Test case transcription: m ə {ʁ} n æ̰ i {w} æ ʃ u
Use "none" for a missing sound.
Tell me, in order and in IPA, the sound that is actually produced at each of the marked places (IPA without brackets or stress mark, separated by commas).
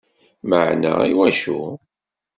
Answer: ʕ, w